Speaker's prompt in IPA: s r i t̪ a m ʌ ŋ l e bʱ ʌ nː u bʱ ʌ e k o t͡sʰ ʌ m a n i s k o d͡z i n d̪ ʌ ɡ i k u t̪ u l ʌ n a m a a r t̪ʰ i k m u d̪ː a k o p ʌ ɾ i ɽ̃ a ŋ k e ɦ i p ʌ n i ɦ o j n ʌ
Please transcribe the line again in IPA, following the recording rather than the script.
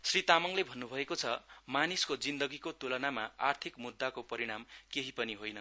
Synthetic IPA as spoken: s r i t̪ a m ʌ ŋ l e bʱ ʌ nː u bʱ ʌ e k o t͡sʰ ʌ m a n i s k o d͡z i n d̪ ʌ ɡ i k o t̪ u l ʌ n a m a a r t̪ʰ i k m u d̪ː a k o p ʌ ɾ i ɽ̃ a m k e ɦ i p ʌ n i ɦ o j n ʌ